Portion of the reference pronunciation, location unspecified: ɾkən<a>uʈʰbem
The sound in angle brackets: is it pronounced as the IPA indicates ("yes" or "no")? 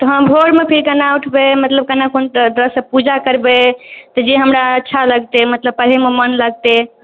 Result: yes